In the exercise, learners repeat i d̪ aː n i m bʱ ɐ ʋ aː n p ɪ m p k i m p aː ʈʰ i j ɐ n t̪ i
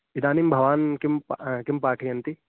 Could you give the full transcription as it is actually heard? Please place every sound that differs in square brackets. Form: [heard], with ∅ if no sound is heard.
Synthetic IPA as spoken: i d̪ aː n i m bʱ ɐ ʋ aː n [k] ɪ m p k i m p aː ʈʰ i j ɐ n t̪ i